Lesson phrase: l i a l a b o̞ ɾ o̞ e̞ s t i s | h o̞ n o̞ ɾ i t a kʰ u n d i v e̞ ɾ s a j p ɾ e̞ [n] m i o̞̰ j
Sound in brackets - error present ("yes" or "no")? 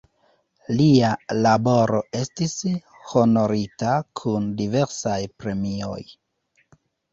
yes